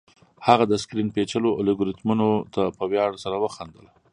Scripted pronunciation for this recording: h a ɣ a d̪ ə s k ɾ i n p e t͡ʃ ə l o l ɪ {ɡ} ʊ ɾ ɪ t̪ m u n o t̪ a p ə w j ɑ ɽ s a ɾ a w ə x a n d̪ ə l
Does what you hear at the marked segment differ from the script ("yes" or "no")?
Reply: no